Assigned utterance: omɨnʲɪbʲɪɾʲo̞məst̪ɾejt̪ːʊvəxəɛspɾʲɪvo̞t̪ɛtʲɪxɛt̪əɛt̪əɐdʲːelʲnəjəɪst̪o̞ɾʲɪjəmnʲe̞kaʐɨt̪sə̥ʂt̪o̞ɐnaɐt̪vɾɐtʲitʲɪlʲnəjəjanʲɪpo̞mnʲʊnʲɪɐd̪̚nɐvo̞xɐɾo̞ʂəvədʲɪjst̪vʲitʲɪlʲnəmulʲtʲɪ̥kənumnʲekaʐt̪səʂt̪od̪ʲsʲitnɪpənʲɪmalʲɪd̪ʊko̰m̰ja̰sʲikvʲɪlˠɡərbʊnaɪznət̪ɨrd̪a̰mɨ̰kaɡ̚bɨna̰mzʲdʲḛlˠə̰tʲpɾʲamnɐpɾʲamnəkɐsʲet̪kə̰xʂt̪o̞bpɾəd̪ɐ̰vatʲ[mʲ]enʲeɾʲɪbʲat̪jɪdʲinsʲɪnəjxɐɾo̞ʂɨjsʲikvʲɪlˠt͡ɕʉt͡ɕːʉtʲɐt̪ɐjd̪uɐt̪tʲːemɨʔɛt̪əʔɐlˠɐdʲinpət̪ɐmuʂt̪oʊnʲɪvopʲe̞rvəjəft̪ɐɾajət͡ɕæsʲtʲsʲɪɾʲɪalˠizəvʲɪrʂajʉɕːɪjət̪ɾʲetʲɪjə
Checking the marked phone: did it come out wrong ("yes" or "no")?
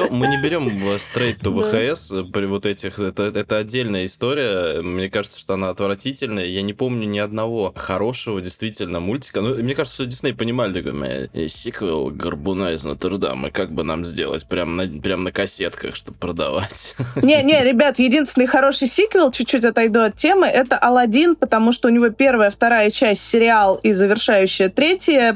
yes